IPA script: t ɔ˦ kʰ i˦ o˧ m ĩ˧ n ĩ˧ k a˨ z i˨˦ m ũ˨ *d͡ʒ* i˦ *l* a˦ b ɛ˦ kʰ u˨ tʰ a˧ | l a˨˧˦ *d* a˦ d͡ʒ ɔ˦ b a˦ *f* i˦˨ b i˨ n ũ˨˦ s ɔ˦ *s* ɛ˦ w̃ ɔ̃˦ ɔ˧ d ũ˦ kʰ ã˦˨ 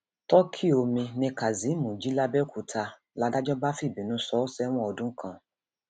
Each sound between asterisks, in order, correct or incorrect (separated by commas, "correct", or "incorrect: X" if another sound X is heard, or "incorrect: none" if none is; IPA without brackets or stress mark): correct, correct, correct, correct, correct